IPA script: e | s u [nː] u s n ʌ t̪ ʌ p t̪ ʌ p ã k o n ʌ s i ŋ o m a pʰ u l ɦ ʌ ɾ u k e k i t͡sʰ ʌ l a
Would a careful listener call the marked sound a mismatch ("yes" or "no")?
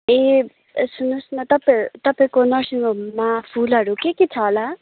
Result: yes